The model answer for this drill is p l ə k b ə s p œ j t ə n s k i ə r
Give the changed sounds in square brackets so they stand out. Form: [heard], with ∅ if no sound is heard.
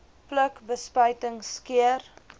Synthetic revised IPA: p l ə k b ə s p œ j t ə [ŋ] s k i ə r

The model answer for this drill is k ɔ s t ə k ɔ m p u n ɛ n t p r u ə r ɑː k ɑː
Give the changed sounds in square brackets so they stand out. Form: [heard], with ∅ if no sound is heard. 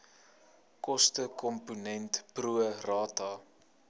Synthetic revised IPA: k ɔ s t ə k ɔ m p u n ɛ n t p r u ə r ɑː [t] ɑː

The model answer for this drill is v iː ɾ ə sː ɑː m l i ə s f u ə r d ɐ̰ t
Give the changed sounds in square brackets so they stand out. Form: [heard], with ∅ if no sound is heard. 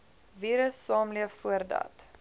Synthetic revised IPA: v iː ɾ ə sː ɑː m l i ə [f] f u ə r d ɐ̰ t

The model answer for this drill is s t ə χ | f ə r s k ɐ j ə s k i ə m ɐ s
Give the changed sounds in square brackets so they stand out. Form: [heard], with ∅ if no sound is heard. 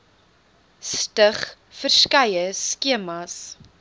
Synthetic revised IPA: s t ə χ | f ə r s k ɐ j ə s k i ə m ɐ s

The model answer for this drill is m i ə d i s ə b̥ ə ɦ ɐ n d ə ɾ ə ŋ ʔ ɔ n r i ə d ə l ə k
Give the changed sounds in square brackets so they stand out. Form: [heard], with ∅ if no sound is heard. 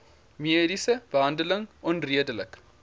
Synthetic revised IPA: m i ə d i s ə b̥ ə ɦ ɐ n d ə [l] ə ŋ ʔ ɔ n r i ə d ə l ə k

